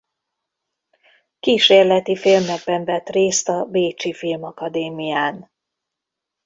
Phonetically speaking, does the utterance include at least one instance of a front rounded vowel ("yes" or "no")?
no